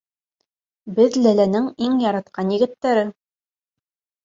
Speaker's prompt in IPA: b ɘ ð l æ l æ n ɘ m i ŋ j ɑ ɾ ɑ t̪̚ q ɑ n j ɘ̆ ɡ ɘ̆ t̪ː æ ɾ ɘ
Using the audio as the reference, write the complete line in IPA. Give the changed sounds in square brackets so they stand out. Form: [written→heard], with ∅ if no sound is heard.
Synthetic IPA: b ɘ ð l æ l æ n ɘ [m→ŋ] i ŋ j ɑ ɾ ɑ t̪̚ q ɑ n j ɘ̆ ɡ ɘ̆ t̪ː æ ɾ ɘ